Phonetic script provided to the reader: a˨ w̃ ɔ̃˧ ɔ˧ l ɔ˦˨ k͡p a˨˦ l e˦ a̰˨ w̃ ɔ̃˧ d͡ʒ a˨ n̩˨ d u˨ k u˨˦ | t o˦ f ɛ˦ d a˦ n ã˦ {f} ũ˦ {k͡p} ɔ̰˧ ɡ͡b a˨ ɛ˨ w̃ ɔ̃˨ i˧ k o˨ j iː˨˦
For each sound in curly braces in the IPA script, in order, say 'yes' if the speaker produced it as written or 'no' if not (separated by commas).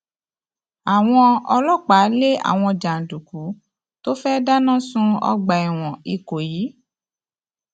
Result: no, no